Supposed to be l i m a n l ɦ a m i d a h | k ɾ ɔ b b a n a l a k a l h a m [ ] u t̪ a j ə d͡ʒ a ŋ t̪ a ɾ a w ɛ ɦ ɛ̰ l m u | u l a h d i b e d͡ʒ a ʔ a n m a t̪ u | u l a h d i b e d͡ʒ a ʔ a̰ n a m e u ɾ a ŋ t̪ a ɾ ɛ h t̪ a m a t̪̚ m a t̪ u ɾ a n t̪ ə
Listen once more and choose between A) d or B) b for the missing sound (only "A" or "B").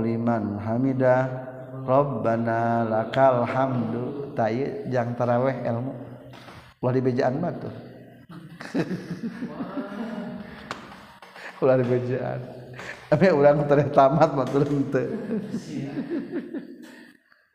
A